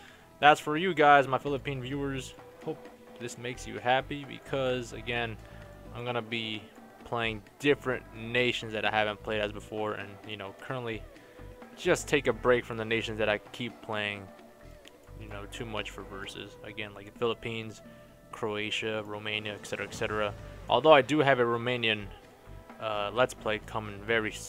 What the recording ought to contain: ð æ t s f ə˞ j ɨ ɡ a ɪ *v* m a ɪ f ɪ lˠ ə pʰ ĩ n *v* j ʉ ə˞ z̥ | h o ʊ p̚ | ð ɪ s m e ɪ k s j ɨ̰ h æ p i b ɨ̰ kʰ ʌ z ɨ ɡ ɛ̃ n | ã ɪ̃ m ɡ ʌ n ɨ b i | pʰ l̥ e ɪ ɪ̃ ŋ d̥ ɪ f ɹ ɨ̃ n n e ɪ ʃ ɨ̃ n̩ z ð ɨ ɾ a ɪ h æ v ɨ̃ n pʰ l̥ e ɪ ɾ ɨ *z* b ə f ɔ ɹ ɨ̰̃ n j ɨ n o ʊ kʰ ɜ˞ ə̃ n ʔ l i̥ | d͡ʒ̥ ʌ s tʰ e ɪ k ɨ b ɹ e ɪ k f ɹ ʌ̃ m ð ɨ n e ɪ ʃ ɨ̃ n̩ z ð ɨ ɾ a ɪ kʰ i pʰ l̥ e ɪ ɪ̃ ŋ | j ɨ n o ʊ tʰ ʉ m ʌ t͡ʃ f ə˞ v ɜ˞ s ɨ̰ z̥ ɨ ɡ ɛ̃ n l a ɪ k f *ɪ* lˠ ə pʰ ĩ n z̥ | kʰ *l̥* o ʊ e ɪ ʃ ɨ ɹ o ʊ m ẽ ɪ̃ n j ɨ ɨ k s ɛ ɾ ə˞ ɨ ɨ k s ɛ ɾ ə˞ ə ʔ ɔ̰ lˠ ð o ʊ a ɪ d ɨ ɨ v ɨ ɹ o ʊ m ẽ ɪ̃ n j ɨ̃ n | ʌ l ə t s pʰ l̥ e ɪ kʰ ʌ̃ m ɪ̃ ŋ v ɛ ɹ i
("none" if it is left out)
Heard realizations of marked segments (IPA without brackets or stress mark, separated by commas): z, v, z, ɪ, ɹ̥